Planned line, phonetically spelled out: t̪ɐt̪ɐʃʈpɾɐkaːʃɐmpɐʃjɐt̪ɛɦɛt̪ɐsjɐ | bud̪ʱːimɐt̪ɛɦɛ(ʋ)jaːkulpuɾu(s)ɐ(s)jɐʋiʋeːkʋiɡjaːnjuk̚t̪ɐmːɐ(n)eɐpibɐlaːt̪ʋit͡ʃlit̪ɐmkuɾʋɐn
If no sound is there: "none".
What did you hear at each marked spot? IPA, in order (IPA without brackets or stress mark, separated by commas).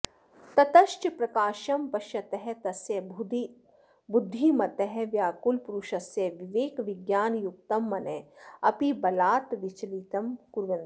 ʋ, ʃ, s, n